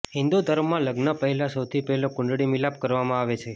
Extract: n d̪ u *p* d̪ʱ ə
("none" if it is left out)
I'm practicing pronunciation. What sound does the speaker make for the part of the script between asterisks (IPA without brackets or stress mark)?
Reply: none